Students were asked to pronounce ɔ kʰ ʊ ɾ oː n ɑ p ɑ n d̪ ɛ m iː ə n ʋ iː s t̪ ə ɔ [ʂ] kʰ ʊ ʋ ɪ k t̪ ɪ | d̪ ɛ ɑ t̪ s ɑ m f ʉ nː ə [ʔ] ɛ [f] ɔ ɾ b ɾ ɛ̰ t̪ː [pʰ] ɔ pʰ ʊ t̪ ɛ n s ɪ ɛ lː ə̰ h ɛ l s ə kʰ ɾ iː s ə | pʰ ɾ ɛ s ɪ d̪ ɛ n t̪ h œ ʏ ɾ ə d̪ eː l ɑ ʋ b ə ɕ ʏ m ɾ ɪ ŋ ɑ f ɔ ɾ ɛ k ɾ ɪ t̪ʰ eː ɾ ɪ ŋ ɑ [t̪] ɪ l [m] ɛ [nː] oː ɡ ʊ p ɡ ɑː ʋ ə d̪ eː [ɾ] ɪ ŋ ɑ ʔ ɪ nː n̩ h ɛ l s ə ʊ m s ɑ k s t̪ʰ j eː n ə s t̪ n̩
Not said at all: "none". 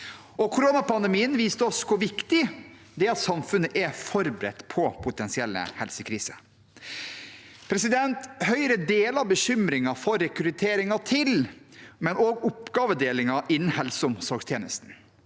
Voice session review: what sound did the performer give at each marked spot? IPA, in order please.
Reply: s, ʔ, f, pʰ, t̪ʰ, m, n, l

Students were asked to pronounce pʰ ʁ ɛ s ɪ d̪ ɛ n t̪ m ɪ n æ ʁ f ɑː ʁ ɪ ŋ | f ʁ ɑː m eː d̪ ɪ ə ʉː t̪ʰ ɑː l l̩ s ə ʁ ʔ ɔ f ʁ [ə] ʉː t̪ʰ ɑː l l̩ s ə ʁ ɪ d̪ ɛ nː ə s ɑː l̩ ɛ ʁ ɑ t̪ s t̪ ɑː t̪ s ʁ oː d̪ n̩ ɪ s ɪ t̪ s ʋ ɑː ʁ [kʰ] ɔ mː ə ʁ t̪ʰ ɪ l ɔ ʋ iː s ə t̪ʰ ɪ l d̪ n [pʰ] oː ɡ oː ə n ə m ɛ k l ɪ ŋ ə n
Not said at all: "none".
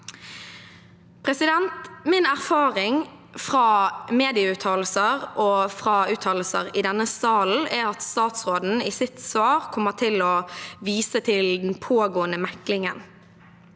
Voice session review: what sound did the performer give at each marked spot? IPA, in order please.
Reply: ɑ, kʰ, pʰ

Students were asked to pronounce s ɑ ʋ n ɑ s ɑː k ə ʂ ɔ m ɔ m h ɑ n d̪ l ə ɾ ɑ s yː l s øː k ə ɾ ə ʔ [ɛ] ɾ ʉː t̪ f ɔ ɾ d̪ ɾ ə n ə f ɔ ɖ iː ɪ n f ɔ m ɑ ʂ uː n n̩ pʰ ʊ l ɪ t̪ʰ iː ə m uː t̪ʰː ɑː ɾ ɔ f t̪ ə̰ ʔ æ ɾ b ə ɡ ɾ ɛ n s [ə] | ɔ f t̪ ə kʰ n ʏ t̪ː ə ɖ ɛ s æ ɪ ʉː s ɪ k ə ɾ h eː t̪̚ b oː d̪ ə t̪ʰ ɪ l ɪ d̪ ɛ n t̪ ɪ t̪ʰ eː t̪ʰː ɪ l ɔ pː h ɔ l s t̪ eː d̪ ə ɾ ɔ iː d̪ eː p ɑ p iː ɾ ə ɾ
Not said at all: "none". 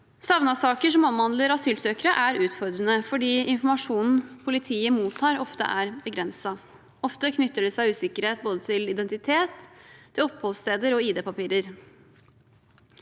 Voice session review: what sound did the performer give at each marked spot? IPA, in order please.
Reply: æ, ɑ

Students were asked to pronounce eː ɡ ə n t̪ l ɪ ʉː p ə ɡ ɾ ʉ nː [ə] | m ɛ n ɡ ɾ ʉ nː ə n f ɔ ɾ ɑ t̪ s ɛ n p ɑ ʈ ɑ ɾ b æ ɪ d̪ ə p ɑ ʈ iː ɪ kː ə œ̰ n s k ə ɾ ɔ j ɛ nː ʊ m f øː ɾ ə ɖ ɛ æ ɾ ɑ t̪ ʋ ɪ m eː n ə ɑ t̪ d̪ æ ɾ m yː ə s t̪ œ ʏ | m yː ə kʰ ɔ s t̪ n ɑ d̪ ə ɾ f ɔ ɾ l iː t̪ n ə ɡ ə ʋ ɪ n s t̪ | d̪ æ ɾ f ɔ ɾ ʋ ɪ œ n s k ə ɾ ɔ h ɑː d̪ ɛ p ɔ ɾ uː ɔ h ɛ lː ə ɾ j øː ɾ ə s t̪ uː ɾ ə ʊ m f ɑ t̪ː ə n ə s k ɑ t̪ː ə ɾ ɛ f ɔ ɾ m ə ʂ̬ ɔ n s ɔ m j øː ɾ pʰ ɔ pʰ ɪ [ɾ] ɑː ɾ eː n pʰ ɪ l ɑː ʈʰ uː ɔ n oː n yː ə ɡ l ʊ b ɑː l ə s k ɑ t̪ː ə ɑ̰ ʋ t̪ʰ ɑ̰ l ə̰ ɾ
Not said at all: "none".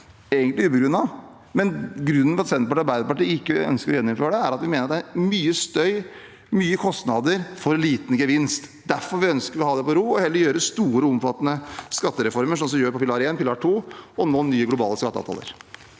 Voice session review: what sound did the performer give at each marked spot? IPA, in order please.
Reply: ɑ, l

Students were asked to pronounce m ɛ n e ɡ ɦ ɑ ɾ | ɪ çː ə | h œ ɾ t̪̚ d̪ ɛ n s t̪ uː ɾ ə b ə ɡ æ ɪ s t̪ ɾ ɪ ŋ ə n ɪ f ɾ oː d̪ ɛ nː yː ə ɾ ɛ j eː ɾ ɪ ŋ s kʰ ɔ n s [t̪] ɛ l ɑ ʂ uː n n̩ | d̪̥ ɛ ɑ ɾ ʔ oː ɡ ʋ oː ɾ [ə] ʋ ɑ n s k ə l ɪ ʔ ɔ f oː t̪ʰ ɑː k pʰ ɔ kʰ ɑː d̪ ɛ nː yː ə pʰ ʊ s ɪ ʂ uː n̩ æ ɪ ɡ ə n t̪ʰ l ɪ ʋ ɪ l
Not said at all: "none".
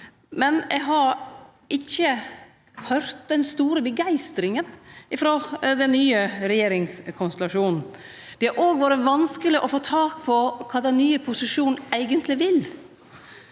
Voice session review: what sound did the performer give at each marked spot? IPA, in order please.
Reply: t̪, ə

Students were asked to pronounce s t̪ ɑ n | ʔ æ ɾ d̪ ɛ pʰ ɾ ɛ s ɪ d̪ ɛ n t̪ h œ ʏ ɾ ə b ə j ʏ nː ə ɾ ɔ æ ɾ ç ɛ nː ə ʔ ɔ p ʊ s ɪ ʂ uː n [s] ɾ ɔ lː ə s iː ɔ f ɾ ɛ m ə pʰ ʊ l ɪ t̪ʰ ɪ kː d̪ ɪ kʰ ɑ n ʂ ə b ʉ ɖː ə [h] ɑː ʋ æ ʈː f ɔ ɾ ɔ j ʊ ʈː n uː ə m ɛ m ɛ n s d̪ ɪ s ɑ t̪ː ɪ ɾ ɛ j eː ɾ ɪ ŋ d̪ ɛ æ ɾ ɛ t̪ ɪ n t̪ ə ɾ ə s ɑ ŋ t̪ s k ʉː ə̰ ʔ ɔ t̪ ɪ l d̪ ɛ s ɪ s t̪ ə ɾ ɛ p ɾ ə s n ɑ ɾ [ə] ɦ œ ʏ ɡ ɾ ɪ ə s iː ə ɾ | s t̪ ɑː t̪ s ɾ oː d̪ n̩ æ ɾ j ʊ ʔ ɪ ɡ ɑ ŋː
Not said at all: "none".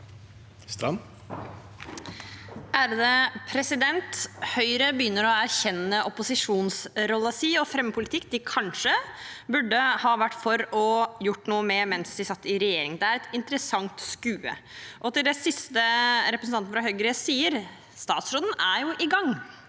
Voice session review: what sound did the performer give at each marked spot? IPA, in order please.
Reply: s, h, ɑ

